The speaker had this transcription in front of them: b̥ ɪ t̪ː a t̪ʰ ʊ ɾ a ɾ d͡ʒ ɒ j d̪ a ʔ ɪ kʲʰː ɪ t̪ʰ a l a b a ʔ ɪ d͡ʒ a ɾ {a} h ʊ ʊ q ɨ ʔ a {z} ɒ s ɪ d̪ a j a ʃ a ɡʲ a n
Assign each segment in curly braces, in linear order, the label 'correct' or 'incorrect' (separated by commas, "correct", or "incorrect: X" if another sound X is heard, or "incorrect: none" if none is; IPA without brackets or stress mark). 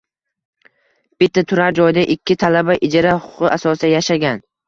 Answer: correct, incorrect: s